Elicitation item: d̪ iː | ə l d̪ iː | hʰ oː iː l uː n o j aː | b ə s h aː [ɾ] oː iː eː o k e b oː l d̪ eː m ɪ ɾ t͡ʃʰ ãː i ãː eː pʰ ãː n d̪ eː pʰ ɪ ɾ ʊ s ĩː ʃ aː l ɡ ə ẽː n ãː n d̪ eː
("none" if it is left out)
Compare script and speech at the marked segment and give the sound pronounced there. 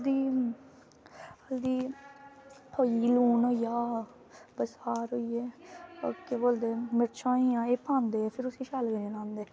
ɾ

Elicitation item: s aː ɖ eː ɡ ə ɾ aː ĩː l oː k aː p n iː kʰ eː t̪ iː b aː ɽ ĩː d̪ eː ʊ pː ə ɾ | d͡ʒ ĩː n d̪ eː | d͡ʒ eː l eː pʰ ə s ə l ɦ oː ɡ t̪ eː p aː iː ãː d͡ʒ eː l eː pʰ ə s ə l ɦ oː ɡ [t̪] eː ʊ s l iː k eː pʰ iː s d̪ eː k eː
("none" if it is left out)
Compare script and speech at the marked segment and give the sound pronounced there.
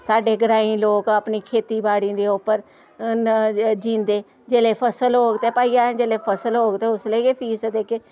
t̪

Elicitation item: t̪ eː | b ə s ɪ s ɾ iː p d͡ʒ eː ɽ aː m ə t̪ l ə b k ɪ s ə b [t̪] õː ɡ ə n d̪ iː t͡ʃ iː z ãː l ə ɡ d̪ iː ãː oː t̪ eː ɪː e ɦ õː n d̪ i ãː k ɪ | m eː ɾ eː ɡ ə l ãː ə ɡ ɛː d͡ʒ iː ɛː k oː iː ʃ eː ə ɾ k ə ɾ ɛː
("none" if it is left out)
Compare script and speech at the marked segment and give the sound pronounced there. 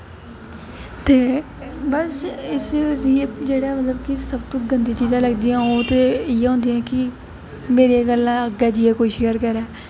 t̪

